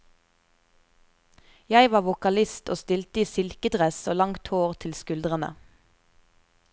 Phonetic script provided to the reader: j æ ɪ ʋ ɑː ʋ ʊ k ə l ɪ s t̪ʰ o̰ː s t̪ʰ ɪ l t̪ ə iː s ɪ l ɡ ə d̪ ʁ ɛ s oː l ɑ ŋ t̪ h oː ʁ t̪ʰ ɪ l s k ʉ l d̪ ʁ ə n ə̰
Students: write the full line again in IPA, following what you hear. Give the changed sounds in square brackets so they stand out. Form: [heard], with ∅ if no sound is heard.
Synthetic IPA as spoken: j æ ɪ ʋ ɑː ʋ ʊ k [ɑ] l ɪ s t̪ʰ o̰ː s [t̪] ɪ l t̪ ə iː s ɪ l [k] ə d̪ ʁ ɛ s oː l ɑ ŋ t̪ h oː ʁ t̪ʰ ɪ l s k ʉ l d̪ ʁ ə n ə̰